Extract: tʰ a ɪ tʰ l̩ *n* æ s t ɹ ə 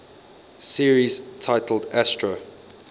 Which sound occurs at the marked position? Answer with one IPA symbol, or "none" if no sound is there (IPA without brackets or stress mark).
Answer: d